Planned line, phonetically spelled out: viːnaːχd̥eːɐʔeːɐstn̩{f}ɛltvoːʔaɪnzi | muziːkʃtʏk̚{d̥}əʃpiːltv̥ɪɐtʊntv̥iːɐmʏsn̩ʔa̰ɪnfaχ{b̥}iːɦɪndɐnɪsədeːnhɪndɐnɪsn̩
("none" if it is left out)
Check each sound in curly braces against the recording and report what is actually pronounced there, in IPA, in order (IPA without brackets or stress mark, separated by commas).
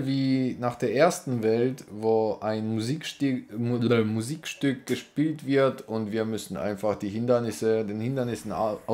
v, ɡ̥, d̥